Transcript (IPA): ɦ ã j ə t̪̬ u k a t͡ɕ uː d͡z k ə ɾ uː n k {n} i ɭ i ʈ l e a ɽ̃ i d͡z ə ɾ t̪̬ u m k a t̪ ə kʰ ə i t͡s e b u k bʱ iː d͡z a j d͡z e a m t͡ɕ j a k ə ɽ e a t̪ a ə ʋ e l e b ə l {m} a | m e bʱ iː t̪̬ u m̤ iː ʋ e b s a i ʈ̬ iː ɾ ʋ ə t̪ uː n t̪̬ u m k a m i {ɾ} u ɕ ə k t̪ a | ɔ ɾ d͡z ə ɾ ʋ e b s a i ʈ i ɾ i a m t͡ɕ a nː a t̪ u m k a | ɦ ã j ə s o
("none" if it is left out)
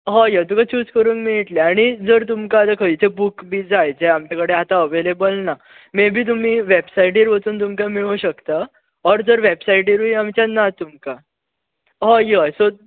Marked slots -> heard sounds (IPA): m, n, ɭ

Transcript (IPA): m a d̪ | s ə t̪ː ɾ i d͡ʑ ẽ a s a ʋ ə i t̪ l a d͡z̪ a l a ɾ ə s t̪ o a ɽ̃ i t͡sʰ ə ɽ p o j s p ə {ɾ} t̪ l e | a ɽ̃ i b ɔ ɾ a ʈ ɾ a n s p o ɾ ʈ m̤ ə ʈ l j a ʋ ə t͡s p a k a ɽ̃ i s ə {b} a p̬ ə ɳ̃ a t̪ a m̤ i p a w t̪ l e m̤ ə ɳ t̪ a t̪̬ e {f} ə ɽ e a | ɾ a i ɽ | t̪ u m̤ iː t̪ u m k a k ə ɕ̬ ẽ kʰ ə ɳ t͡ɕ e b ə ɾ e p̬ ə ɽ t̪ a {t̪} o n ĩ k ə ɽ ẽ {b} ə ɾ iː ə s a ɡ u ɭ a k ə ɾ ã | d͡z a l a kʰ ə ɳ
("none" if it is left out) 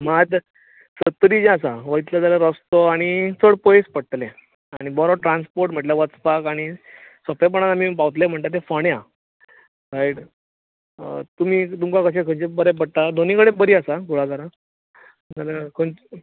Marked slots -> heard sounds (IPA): ɽ, p, f, d̪, b

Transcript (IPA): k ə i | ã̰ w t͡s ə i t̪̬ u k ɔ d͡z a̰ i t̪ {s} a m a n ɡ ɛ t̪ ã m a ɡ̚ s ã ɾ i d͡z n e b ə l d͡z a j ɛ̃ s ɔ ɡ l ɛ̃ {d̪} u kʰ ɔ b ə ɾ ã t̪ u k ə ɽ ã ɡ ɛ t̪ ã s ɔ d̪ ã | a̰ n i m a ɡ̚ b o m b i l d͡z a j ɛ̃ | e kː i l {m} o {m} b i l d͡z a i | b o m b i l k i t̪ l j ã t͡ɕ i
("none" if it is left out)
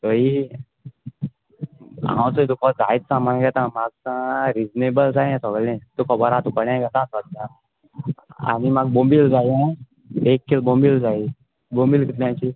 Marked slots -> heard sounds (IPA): s, t̪, b, m

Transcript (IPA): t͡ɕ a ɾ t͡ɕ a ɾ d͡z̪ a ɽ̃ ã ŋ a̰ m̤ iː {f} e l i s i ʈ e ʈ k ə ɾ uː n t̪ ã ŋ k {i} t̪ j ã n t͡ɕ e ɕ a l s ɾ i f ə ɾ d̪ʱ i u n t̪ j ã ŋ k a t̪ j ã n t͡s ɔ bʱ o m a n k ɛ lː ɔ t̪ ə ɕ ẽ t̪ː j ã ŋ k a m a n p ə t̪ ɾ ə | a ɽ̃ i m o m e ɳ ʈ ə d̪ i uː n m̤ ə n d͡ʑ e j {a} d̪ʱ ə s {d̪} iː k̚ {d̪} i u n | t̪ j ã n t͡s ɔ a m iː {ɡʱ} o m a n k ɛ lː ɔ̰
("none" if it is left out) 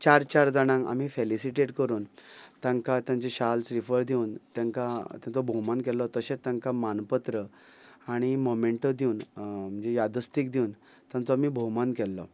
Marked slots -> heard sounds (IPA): f, a, a, t̪, d̪, bʱ

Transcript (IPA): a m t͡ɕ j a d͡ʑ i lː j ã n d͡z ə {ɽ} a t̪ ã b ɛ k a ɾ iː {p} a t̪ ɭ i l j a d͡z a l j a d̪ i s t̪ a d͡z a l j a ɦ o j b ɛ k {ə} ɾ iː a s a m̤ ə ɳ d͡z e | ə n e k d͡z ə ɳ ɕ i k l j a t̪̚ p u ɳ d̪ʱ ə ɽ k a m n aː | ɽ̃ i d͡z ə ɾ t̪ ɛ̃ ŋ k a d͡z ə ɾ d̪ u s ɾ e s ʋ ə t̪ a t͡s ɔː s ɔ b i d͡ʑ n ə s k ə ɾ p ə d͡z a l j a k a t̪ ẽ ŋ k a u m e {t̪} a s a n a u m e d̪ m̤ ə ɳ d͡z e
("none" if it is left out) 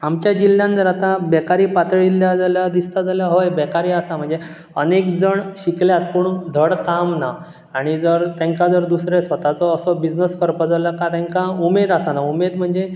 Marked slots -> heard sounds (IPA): ɾ, p, a, d̪

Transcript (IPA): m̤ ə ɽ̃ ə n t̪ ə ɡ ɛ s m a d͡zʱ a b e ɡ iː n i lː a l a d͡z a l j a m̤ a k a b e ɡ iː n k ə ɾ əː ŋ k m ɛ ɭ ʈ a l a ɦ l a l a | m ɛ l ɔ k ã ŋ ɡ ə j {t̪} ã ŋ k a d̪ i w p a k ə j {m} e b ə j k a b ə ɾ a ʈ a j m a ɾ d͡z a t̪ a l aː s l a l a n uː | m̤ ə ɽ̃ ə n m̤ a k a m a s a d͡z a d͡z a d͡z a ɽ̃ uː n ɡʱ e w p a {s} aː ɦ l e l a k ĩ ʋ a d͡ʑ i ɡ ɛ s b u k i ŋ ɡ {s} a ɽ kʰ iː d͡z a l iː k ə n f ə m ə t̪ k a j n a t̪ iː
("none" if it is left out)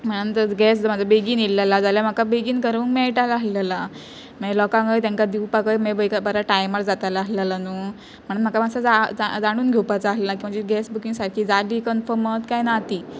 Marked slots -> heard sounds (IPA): t̪, m, t͡s, s

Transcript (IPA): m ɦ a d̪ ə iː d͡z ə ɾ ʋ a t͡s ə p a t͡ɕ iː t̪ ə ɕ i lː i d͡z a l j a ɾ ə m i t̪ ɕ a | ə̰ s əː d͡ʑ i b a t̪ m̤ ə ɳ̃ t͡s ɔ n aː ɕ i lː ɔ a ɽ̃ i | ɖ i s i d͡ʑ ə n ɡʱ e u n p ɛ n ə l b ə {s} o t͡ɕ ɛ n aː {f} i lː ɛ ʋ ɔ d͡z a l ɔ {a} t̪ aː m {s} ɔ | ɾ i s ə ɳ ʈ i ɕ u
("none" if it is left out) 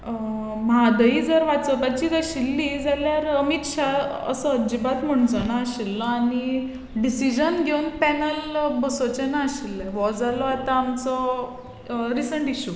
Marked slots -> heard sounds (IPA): s, ɕ, a, t͡s

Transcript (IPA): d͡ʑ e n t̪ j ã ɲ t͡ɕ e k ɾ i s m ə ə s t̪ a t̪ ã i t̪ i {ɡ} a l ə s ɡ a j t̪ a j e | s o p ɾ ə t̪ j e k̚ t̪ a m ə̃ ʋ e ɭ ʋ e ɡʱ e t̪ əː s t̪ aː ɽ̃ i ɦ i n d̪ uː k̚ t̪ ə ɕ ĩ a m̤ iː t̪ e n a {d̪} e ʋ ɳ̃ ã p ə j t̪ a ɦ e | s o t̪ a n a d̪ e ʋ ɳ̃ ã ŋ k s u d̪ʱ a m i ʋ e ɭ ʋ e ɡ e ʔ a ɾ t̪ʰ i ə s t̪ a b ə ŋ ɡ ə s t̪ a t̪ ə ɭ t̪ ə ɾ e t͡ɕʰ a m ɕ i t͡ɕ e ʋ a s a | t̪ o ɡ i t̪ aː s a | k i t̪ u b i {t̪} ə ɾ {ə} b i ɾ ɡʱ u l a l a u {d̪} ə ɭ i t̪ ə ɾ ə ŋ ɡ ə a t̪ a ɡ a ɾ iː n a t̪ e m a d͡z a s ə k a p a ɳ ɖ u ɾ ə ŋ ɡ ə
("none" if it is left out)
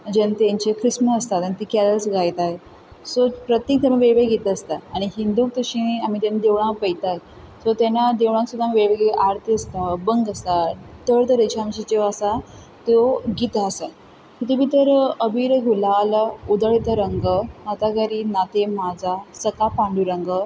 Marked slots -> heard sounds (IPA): k, d̪, t̪, ə, d̪

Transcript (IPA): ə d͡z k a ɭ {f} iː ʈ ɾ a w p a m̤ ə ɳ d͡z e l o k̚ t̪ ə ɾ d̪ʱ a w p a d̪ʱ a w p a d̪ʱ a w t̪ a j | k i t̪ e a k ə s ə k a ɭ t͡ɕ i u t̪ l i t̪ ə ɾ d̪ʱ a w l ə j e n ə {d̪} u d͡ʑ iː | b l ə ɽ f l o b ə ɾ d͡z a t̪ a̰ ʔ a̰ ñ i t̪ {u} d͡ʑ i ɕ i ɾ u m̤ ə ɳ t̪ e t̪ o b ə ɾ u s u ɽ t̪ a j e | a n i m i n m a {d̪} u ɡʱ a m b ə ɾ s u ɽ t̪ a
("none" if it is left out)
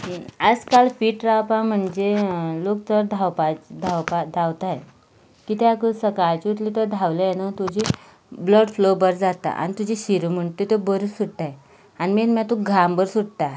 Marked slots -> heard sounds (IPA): f, t̪, u, t̪

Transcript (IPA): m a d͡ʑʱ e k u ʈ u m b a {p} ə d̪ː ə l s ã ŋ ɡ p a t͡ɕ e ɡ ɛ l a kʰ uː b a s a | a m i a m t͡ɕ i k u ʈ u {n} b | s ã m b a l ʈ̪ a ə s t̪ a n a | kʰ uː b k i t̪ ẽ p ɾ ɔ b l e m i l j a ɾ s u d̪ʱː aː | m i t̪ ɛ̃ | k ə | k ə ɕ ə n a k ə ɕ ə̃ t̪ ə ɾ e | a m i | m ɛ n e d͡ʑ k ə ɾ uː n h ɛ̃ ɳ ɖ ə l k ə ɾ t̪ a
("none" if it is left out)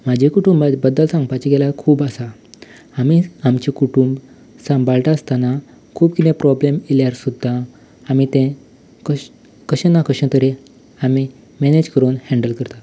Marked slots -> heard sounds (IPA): b, m

